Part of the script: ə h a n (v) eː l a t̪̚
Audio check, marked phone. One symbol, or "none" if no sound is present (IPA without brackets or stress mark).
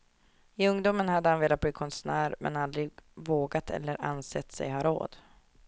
v